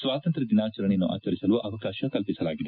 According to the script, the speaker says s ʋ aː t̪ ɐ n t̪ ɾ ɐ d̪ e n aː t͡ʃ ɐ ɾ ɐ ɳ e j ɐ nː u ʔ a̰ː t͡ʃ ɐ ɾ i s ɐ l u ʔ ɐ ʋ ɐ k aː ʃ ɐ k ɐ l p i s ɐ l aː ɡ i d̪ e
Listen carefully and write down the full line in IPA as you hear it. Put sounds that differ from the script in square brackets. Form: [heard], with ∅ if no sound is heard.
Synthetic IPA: s ʋ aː t̪ ɐ n t̪ ɾ ɐ d̪ [i] n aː t͡ʃ ɐ ɾ ɐ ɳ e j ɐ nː u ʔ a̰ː t͡ʃ ɐ ɾ i s ɐ l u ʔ ɐ ʋ ɐ k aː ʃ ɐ k ɐ l p i s ɐ l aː ɡ i d̪ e